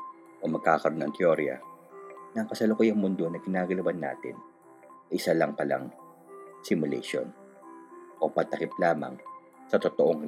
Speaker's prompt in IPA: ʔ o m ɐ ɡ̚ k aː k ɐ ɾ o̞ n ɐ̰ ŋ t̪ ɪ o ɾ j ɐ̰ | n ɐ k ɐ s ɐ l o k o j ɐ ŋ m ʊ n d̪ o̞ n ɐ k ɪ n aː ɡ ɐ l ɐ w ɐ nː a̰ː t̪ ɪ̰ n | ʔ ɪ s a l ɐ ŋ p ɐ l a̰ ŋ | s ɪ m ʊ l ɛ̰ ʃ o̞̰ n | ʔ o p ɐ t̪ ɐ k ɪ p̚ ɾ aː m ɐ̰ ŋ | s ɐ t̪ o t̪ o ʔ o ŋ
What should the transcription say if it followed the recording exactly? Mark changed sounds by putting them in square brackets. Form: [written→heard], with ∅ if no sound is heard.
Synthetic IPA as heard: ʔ o m ɐ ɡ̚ k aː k ɐ ɾ o̞ n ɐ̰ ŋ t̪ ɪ o ɾ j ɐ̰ | n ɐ k ɐ s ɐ l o k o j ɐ ŋ m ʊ n d̪ o̞ n ɐ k ɪ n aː ɡ ɐ l ɐ w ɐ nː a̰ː t̪ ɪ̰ n | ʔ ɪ s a l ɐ ŋ p ɐ l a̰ ŋ | s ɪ m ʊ l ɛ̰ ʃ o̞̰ n | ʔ o p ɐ t̪ ɐ k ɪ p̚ [ɾ→l] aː m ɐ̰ ŋ | s ɐ t̪ o t̪ o ʔ o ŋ